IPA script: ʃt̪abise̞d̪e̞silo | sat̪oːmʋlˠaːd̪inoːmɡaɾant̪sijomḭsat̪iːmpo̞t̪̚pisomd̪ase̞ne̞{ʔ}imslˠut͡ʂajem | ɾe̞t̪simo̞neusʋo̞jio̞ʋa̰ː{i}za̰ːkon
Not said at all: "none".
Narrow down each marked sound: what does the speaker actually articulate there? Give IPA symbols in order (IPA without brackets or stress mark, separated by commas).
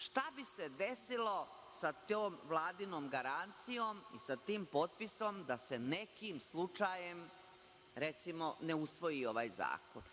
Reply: k, j